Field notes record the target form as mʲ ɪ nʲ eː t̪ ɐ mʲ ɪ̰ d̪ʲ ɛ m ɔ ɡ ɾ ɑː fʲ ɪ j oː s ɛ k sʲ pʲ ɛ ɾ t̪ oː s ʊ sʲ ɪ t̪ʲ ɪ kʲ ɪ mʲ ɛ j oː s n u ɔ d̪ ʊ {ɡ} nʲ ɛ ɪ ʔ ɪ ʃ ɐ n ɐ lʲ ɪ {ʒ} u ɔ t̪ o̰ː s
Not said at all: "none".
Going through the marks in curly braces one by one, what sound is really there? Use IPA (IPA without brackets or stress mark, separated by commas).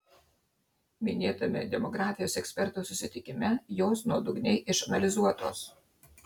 ɡ, z